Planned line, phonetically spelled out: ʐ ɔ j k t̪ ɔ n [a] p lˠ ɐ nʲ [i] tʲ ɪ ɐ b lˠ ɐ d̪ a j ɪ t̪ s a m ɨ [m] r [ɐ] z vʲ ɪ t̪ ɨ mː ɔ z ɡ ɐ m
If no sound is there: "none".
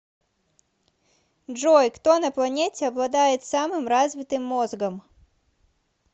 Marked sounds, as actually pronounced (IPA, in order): ɐ, e, m, a

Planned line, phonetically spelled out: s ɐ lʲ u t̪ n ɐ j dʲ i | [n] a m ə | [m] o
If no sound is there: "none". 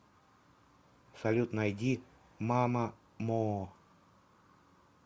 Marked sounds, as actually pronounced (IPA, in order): m, m

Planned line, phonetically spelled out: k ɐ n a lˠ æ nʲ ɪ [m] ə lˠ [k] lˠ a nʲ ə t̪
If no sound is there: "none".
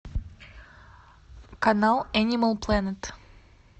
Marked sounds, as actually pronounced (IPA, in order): m, p

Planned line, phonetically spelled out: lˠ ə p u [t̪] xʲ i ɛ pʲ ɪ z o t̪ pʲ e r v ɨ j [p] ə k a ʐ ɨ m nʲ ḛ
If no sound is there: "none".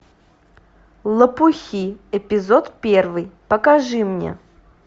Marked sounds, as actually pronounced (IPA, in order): none, p

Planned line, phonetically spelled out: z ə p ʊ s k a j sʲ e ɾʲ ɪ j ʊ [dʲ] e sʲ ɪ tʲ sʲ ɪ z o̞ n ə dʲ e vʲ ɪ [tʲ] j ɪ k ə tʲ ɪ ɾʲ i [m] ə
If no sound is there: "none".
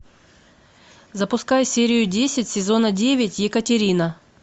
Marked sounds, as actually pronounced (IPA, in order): dʲ, tʲ, n

